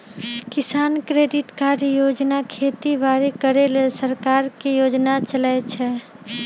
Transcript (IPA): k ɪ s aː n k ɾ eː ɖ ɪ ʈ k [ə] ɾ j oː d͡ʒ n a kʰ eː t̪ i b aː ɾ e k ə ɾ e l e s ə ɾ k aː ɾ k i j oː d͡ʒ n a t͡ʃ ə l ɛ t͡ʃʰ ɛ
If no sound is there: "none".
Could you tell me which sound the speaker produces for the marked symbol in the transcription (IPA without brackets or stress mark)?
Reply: a